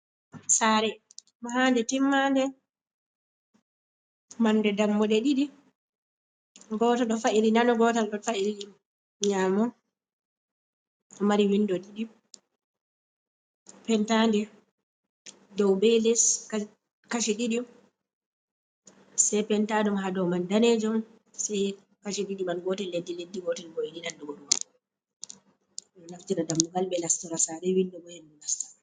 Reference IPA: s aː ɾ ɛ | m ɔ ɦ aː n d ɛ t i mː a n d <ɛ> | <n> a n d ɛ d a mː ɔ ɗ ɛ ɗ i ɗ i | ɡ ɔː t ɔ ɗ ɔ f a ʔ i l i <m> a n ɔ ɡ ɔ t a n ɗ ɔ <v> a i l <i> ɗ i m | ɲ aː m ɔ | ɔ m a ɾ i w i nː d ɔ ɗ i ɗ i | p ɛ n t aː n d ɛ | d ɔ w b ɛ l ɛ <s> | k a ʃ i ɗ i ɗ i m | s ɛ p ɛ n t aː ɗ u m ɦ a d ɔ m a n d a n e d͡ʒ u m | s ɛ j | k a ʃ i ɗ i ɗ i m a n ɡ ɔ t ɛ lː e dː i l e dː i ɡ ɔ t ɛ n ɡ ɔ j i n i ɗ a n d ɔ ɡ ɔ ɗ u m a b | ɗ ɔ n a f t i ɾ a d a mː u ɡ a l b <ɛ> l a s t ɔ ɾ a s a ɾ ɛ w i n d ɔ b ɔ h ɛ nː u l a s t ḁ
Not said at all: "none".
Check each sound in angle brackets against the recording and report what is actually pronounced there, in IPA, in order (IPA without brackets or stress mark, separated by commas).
ɛ, m, n, f, i, s, ɛ